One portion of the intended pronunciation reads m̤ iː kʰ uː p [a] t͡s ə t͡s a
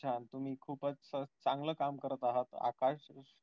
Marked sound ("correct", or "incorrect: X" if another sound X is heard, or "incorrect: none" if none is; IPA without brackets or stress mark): incorrect: ə